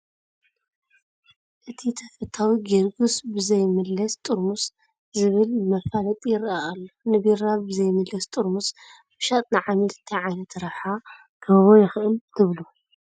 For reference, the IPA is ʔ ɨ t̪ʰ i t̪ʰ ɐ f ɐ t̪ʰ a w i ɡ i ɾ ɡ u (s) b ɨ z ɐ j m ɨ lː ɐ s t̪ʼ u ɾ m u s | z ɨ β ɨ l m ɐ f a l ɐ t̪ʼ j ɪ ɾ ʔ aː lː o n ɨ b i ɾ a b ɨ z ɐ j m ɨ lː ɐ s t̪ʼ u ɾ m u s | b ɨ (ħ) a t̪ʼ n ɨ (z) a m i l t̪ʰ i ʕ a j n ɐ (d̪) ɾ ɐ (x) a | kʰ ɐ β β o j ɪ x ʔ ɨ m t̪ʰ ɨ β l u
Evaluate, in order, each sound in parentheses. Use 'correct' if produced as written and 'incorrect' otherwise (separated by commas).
correct, incorrect, incorrect, incorrect, incorrect